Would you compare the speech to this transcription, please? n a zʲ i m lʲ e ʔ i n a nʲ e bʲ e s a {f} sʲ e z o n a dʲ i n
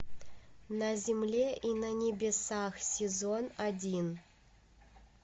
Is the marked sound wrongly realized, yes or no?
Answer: yes